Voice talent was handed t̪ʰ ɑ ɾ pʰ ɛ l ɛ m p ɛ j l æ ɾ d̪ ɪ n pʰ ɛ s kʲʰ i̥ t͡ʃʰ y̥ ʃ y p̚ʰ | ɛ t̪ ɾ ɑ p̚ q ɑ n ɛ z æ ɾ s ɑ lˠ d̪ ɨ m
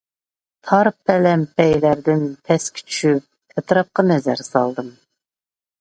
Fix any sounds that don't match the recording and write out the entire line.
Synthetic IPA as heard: t̪ʰ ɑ ɾ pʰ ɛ l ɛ m p ɛ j l æ ɾ d̪ ɪ n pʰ ɛ s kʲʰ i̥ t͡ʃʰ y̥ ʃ y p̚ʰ | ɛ t̪ ɾ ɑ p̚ q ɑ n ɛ z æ ɾ s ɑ lˠ d̪ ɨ m